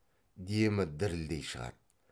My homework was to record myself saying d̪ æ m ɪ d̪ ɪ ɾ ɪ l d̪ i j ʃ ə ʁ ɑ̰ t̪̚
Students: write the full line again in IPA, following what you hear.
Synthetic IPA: d̪ e m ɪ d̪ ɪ ɾ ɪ l d̪ e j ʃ ə ʁ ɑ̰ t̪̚